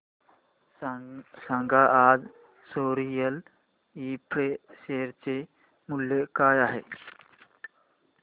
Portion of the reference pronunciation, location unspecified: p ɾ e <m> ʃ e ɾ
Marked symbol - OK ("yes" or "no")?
no